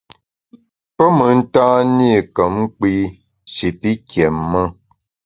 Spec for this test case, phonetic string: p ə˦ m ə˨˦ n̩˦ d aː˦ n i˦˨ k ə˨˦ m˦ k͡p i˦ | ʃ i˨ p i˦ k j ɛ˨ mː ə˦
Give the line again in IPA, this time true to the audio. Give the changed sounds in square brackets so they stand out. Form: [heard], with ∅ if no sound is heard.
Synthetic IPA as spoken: p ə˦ m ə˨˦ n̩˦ [t] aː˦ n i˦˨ k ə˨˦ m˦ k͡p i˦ | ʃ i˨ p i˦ k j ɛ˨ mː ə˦

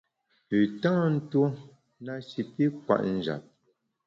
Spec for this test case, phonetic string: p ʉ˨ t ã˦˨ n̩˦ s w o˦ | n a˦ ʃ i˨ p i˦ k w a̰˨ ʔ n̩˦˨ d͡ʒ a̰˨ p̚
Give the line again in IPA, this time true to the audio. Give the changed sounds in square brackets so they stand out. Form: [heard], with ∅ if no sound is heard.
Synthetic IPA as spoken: p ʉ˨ t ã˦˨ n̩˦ [t] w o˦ | n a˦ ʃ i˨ p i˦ k w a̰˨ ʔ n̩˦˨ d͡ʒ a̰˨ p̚

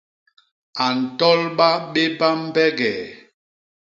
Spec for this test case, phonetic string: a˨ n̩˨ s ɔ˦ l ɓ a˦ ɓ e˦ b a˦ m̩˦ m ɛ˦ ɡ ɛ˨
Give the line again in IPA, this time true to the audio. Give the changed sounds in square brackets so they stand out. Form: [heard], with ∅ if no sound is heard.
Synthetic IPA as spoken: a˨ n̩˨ [t] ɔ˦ l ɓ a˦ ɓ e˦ b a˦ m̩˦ [b] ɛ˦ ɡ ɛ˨

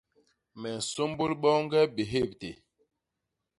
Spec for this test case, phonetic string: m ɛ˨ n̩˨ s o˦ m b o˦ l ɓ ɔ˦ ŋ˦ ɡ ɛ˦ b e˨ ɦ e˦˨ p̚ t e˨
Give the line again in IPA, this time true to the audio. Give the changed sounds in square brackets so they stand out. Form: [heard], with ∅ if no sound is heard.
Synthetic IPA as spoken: m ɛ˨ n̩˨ s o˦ m b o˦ l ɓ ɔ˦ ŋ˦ ɡ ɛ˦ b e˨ ɦ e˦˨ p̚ t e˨

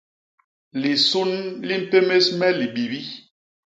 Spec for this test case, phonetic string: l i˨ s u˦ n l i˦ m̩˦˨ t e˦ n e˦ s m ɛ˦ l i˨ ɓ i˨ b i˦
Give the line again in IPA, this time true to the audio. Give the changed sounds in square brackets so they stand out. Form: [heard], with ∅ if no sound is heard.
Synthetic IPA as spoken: l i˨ s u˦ n l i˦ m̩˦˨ [p] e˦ [m] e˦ s m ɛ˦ l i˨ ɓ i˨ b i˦

